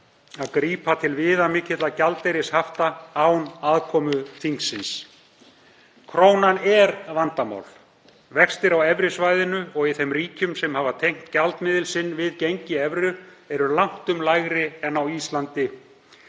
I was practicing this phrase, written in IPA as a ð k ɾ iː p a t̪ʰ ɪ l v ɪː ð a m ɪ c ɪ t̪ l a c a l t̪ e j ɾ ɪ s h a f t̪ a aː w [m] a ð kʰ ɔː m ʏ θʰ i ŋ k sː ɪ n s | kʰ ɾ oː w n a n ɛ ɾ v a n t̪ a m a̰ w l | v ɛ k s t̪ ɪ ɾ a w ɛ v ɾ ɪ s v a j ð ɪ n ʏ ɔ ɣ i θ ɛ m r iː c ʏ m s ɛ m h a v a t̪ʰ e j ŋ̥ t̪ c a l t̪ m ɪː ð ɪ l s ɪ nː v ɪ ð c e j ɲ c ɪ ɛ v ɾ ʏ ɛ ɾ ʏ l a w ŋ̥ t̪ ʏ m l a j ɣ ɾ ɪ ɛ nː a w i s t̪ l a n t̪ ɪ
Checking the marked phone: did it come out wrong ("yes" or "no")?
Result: yes